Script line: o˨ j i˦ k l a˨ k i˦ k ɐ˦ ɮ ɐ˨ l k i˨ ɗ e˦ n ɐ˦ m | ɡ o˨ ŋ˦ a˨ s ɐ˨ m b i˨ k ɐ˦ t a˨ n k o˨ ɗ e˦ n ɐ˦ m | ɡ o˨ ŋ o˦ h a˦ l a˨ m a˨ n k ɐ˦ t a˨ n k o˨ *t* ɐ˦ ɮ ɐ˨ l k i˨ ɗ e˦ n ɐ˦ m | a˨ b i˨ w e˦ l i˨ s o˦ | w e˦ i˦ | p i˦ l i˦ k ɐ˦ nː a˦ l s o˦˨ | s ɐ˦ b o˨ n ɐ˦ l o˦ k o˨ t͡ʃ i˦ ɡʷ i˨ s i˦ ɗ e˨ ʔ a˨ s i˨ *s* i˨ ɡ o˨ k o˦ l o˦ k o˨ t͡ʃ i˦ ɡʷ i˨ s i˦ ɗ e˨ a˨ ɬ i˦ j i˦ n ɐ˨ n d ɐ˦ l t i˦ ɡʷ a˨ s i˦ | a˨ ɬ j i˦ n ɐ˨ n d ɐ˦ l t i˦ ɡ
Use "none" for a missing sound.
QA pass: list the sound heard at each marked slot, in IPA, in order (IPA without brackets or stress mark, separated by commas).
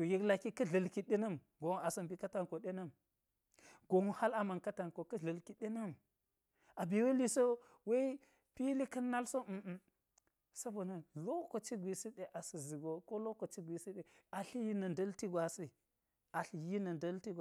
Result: k, z